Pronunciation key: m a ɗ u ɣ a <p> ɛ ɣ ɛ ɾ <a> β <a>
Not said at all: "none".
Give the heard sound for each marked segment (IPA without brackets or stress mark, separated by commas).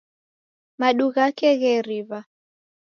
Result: k, i, a